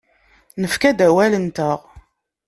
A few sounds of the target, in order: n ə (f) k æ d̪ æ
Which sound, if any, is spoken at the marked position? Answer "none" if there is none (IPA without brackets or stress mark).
f